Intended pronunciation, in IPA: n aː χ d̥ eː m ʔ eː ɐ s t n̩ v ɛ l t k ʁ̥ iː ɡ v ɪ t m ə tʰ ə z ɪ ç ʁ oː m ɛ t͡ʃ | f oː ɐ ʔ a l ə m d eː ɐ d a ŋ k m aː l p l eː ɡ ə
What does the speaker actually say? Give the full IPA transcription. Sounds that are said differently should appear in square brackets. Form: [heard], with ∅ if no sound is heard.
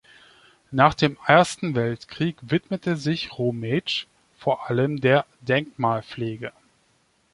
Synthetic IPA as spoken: n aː χ d̥ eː m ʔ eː ɐ s t n̩ v ɛ l t k ʁ̥ iː [k] v ɪ t m ə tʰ ə z ɪ ç ʁ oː m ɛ t͡ʃ | f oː ɐ ʔ a l ə m d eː ɐ d [ɛ] ŋ k m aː l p l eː ɡ ə